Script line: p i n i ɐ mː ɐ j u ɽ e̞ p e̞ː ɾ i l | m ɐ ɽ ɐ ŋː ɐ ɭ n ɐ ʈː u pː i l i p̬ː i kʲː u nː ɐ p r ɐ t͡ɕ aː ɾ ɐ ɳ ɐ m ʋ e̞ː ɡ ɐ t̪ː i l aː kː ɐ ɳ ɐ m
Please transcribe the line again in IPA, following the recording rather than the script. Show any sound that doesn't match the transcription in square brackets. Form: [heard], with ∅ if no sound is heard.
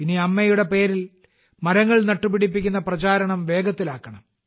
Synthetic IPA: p i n i ɐ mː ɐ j u ɽ e̞ p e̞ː ɾ i l | m ɐ [ɾ] ɐ ŋː ɐ ɭ n ɐ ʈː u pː i [ɽ] i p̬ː i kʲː u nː ɐ p r ɐ t͡ɕ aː ɾ ɐ ɳ ɐ m ʋ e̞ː ɡ ɐ t̪ː i l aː kː ɐ ɳ ɐ m